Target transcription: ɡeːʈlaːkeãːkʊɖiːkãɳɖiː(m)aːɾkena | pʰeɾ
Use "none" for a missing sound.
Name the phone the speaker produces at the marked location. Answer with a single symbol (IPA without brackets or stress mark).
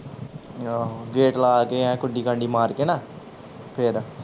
m